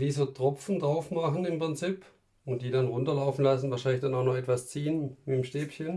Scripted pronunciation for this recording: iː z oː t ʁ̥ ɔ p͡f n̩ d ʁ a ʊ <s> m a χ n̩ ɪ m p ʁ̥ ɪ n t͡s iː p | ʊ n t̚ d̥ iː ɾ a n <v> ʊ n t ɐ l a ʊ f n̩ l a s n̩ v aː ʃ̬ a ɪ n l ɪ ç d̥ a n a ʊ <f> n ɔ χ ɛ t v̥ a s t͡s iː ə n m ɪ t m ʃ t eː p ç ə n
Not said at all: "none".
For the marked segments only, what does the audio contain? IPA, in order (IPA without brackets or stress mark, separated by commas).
f, ʁ, x